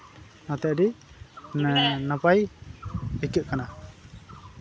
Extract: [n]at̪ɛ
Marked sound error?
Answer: no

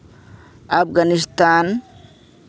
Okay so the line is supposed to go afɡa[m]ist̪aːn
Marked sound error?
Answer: yes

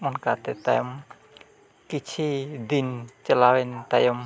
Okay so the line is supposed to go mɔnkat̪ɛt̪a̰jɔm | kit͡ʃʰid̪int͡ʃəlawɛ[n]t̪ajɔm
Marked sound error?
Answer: no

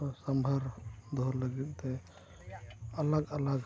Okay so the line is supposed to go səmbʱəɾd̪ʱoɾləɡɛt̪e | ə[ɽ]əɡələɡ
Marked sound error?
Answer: yes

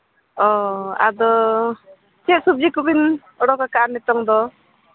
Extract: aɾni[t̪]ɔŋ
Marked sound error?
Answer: no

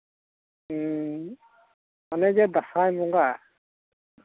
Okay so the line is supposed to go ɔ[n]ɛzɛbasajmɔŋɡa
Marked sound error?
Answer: no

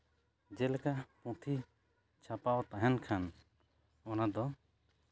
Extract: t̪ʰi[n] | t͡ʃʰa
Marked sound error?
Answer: yes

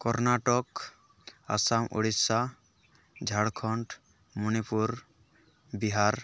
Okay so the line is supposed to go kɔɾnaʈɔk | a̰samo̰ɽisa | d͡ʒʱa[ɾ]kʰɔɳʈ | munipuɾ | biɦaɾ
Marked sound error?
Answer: yes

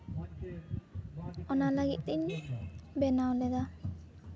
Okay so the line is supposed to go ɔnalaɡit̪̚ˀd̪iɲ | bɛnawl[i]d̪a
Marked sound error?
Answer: yes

